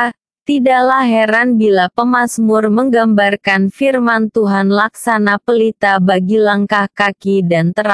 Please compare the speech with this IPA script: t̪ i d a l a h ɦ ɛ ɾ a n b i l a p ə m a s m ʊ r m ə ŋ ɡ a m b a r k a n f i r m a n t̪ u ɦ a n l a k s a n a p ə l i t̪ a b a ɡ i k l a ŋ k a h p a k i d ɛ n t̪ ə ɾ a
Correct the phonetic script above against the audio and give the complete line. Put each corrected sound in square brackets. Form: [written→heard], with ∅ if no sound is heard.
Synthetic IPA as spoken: t̪ i d a l a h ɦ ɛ ɾ a n b i l a p ə m a s m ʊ r m ə ŋ ɡ a m b a r k a n f i r m a n t̪ u ɦ a n l a k s a n a p ə l i t̪ a b a ɡ i [k→∅] l a ŋ k a h [p→k] a k i d [ɛ→a] n t̪ ə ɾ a